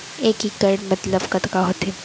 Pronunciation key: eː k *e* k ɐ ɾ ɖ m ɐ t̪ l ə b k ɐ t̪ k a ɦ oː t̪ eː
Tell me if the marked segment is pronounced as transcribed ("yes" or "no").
no